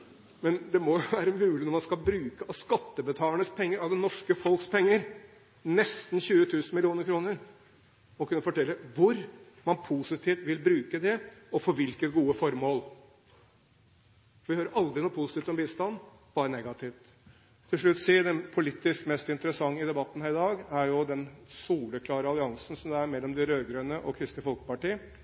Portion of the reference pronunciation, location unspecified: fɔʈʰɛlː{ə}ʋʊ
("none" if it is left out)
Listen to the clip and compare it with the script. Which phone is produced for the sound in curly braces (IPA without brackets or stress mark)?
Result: ə